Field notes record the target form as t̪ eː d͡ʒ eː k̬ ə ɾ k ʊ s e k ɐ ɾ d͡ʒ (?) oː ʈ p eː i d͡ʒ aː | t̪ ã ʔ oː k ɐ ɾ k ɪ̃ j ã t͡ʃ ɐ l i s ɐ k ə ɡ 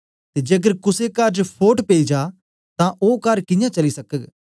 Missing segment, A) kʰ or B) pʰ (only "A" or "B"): B